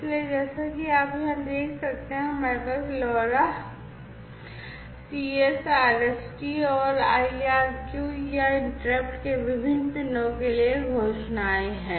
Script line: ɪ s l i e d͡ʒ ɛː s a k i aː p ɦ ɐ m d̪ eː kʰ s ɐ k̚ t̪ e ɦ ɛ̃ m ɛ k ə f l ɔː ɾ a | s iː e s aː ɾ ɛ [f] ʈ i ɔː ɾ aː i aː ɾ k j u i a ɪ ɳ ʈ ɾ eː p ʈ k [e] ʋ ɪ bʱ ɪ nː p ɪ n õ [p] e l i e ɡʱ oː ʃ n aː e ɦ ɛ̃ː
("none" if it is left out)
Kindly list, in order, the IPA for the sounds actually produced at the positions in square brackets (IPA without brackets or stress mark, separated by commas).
s, e, k